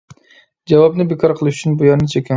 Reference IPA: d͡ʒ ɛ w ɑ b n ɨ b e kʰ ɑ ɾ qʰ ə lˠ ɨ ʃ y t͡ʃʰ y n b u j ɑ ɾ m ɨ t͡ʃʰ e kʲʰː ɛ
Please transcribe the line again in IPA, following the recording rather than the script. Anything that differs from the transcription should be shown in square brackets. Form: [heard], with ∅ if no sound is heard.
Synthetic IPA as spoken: d͡ʒ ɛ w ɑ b n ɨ b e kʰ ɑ ɾ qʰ ə lˠ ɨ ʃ y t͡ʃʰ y n b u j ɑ ɾ [n] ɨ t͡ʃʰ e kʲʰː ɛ